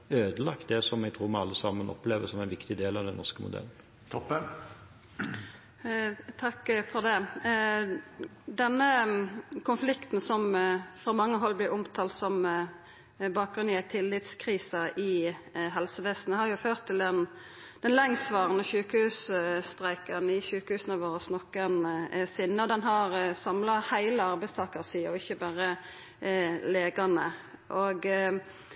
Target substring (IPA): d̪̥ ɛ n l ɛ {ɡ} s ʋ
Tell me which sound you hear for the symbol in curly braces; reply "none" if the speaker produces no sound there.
ŋ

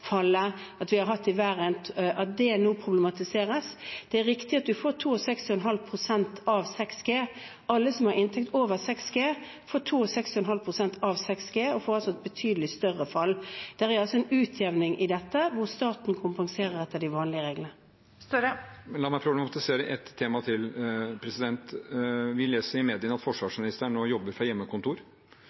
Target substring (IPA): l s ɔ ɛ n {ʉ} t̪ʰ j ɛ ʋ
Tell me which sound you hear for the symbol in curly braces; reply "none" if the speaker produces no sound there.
ʉː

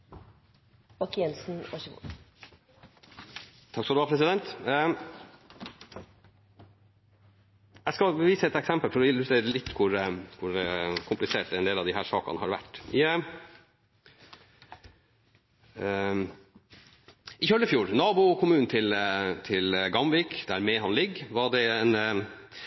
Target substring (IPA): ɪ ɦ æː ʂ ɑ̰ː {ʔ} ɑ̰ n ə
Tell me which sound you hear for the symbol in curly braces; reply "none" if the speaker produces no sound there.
k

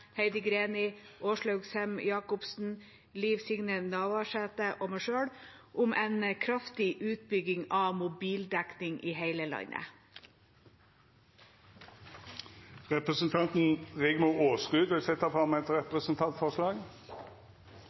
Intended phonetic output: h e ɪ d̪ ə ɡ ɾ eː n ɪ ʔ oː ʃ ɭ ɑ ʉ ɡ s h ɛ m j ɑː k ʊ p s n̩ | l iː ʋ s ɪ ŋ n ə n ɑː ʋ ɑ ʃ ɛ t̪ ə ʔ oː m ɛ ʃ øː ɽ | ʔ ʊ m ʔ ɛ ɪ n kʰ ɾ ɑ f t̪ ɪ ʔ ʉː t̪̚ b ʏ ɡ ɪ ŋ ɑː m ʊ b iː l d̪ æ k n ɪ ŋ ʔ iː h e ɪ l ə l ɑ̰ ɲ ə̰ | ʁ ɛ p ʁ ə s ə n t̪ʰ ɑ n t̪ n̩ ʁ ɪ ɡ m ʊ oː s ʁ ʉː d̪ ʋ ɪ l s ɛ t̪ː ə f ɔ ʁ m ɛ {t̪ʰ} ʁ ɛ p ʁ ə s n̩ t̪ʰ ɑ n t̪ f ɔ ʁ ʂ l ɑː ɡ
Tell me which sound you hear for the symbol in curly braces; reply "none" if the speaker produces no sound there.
t̪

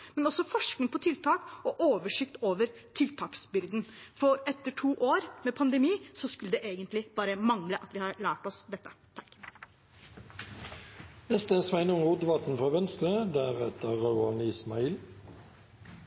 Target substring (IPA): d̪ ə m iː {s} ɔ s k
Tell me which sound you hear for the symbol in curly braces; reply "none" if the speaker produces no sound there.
s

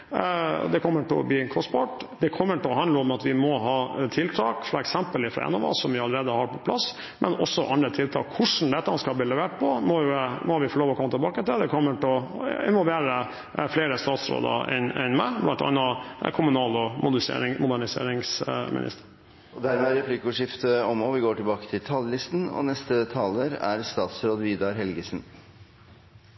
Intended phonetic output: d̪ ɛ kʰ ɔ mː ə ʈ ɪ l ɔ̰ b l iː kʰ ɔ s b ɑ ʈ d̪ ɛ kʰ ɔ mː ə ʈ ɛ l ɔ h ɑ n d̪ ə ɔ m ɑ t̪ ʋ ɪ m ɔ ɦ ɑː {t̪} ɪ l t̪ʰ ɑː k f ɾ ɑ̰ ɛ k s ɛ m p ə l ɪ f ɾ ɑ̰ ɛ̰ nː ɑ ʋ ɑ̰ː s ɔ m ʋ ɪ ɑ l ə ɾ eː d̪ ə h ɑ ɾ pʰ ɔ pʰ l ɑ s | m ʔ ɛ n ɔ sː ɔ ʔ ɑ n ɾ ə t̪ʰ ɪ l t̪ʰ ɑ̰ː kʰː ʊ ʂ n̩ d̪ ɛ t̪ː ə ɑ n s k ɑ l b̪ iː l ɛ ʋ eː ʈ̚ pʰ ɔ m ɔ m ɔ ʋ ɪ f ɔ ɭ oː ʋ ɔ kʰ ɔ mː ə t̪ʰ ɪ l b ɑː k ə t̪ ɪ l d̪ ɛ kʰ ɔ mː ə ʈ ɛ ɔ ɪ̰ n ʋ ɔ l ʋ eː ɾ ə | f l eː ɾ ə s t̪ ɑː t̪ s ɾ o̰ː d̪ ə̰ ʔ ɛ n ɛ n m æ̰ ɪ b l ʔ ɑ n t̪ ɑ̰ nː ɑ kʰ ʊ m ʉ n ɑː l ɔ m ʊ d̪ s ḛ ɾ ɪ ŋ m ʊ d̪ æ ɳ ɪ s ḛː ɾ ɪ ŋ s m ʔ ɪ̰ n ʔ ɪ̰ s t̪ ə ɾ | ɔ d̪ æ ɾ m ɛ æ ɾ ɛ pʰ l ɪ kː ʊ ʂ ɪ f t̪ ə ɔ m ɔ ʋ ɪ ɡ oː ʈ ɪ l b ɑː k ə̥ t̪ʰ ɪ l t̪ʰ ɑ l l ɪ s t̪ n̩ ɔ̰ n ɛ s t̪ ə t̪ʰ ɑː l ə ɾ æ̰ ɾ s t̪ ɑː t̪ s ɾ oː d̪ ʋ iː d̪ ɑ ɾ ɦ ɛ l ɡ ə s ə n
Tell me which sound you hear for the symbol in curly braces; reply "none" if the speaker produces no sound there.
t̪ʰ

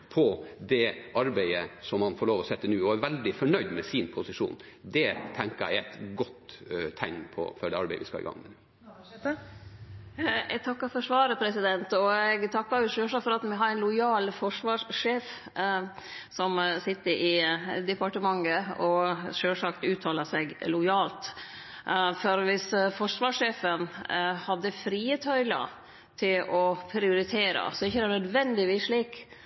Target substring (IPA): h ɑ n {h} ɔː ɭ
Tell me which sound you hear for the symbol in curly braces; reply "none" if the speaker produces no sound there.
f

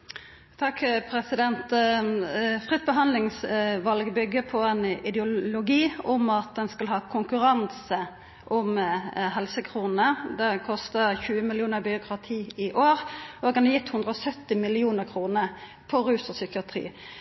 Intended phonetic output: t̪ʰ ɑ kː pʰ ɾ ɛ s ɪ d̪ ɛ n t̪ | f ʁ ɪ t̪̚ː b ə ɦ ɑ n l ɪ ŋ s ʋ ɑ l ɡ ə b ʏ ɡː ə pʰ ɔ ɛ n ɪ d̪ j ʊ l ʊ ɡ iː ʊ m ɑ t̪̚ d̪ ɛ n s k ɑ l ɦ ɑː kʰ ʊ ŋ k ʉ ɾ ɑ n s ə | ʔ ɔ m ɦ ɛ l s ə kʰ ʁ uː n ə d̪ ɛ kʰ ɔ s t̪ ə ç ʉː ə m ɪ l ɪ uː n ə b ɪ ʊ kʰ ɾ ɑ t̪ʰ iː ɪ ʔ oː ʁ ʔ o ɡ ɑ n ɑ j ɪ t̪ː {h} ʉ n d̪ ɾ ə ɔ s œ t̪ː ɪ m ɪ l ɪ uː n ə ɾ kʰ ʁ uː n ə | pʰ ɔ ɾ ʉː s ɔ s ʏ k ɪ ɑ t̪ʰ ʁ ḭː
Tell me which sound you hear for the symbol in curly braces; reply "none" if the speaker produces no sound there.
h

